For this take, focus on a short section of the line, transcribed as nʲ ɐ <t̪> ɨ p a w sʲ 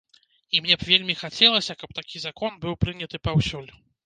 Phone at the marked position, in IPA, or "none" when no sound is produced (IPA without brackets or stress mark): t̪